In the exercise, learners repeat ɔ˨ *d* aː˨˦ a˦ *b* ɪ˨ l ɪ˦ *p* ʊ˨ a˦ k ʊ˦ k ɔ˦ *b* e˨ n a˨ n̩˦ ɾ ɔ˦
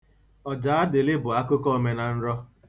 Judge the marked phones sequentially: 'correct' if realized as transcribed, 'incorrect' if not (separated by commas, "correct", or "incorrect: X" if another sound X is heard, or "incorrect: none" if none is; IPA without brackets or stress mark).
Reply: incorrect: d͡ʒ, incorrect: d, incorrect: b, incorrect: m